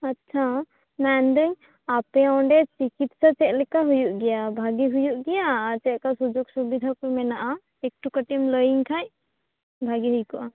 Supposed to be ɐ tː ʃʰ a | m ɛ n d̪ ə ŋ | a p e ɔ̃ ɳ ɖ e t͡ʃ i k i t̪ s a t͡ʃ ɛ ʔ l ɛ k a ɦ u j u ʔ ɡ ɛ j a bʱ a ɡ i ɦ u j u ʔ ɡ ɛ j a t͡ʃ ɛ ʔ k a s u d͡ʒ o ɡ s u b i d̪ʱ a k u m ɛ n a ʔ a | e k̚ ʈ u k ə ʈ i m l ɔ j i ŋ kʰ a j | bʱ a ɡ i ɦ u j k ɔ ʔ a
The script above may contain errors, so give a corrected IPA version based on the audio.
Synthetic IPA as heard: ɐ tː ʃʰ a | m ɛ n d̪ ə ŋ | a p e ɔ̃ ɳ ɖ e t͡ʃ i k i t̪ s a t͡ʃ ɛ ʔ l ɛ k a ɦ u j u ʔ ɡ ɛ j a bʱ a ɡ i ɦ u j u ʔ ɡ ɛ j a t͡ʃ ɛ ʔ k a s u d͡ʒ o ɡ s u b i d̪ʱ a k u m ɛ n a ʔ a | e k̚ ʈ u k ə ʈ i m l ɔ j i ŋ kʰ a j | bʱ a ɡ i ɦ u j k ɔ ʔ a